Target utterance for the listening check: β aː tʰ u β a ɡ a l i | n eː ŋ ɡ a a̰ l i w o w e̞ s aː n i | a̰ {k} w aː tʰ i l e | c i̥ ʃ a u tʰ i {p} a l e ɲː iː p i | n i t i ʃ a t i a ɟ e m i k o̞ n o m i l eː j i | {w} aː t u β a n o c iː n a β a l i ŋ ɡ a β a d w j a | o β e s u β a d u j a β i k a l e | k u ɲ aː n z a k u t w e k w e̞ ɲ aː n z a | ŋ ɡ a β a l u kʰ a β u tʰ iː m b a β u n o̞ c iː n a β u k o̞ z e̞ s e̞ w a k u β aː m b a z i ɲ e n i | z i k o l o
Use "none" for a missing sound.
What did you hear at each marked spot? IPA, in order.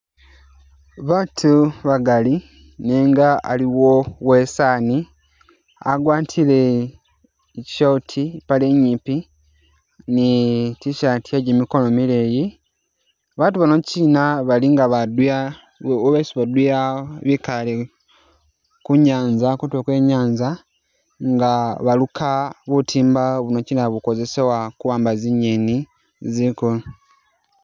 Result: ɡ, p, β

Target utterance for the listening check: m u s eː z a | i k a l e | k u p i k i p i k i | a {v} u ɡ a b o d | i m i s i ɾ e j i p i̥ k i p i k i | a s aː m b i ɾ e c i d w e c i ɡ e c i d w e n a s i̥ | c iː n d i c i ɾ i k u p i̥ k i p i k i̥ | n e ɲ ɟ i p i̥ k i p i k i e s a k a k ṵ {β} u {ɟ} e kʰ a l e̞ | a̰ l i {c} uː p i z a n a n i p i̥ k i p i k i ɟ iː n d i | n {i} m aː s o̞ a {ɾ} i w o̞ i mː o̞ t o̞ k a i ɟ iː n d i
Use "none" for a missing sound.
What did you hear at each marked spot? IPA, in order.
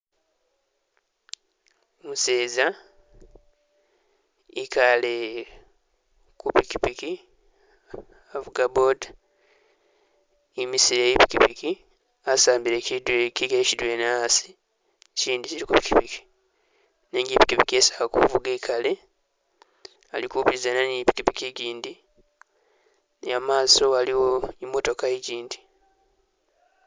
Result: v, v, ɡ, k, a, l

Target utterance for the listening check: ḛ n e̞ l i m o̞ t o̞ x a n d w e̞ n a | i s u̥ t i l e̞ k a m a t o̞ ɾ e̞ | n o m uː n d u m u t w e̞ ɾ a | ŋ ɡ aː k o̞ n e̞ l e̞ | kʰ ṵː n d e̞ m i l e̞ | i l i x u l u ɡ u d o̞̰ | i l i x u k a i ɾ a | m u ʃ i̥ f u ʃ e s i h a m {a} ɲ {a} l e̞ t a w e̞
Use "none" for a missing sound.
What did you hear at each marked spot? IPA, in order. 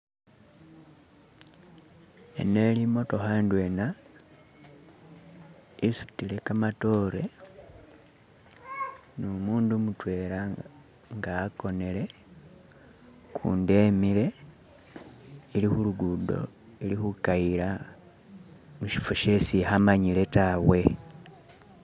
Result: a, i

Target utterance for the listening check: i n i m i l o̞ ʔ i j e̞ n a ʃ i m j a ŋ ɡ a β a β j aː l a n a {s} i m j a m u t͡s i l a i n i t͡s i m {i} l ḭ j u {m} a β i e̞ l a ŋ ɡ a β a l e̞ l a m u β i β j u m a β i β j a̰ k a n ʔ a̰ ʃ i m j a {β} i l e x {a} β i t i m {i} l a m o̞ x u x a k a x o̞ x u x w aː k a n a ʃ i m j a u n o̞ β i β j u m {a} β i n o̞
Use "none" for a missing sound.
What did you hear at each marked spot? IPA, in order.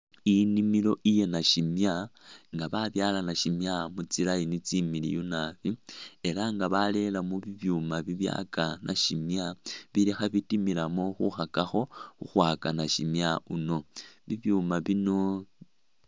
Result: ʃ, i, n, β, a, i, a

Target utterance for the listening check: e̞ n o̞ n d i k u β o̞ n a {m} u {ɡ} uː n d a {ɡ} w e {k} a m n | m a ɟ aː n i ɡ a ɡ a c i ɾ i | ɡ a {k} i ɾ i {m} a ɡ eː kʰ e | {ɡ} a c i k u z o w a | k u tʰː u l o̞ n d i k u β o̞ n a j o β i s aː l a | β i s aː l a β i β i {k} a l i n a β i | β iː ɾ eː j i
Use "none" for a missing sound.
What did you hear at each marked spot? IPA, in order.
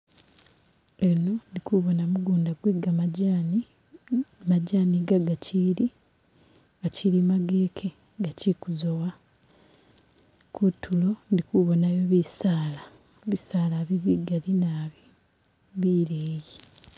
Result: m, ɡ, ɡ, ɡ, c, m, ɡ, ɡ

